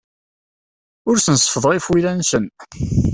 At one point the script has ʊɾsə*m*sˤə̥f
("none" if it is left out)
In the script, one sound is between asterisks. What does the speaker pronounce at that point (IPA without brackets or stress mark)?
n